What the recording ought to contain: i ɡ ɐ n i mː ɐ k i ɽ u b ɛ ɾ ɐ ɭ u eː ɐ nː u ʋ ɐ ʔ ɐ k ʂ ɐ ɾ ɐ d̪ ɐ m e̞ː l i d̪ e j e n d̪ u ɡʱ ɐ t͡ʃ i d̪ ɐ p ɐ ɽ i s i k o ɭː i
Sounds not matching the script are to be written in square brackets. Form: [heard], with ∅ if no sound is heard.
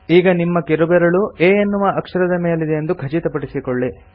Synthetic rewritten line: [iː] ɡ ɐ n i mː ɐ k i [ɾ] u b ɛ ɾ ɐ ɭ u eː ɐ nː u ʋ ɐ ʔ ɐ k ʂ ɐ ɾ ɐ d̪ ɐ m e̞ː l i d̪ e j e n d̪ u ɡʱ ɐ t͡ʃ i [t̪] ɐ p ɐ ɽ i s i k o ɭː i